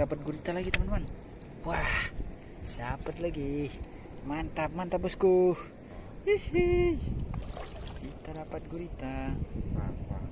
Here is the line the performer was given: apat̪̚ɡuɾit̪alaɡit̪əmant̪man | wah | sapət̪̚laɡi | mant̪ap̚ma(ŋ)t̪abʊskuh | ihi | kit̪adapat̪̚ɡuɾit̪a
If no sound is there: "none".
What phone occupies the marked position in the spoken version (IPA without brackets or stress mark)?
n